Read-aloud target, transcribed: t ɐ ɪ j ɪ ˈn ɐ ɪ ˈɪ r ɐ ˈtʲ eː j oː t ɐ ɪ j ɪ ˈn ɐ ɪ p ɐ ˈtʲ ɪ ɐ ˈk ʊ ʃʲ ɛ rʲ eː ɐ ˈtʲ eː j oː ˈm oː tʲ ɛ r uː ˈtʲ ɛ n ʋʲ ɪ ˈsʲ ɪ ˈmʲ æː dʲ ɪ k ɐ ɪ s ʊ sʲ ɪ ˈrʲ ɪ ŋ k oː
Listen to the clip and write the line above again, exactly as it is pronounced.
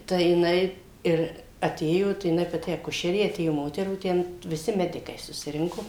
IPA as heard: t ɐ ɪ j ɪ ˈn ɐ ɪ ˈɪ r ɐ ˈtʲ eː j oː t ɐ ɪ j ɪ ˈn ɐ ɪ p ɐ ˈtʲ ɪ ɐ ˈk ʊ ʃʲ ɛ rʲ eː ɐ ˈtʲ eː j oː ˈm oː tʲ ɛ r uː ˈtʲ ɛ n ʋʲ ɪ ˈsʲ ɪ ˈmʲ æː dʲ ɪ k ɐ ɪ s ʊ sʲ ɪ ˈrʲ ɪ ŋ k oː